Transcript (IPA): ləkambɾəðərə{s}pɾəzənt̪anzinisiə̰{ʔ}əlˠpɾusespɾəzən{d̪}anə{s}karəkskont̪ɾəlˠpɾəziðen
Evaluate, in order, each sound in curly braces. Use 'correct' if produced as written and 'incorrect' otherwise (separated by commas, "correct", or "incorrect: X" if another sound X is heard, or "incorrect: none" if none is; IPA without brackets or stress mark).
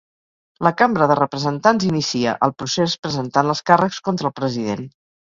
incorrect: none, correct, incorrect: t̪, correct